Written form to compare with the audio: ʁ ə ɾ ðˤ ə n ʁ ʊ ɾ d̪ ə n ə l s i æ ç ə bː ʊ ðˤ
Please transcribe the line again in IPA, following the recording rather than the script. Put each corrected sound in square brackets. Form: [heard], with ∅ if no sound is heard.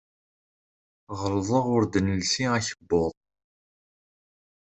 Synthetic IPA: ʁ ə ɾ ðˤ ə [∅] ʁ ʊ ɾ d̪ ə n ə l s i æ ç ə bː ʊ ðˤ